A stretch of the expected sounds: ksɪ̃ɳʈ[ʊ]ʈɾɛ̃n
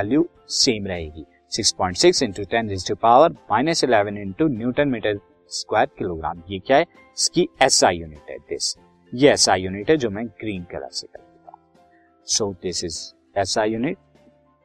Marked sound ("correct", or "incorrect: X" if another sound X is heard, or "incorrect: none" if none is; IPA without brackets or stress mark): incorrect: u